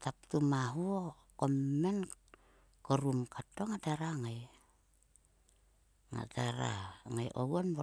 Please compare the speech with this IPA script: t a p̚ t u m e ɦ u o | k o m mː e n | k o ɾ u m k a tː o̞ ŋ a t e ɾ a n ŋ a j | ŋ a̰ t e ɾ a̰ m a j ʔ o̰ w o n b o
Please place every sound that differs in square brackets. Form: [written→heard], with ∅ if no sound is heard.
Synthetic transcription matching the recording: t a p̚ t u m [e→a] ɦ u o | k o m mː e n | k o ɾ u m k a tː o̞ ŋ a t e ɾ a [n→∅] ŋ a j | ŋ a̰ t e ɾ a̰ [m→ŋ] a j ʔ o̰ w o n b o